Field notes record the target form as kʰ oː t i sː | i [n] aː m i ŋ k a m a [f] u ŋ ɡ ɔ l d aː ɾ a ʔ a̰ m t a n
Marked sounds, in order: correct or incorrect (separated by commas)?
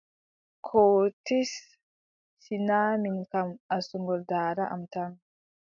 correct, incorrect